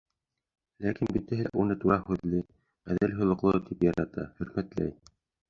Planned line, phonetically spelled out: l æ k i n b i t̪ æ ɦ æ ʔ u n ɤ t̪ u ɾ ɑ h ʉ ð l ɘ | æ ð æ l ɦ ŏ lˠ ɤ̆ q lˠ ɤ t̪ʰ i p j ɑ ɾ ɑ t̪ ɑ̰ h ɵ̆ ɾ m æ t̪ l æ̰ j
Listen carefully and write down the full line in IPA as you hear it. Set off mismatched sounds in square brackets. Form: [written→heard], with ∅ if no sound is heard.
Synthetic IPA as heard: l æ k i n b i t̪ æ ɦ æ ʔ u n ɤ t̪ u ɾ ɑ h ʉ ð l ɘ | æ ð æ l ɦ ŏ lˠ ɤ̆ q lˠ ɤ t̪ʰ i p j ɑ ɾ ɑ t̪ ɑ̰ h ɵ̆ ɾ m æ t̪ l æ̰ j